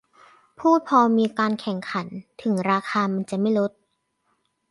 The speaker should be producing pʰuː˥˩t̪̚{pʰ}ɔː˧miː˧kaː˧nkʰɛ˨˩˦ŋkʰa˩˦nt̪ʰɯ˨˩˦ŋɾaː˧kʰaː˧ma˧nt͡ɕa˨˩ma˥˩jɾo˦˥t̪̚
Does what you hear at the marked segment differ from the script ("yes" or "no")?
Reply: no